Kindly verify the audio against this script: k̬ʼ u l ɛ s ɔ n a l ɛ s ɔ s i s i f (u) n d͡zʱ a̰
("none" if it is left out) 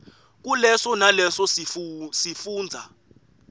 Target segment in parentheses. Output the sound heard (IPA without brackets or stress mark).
uː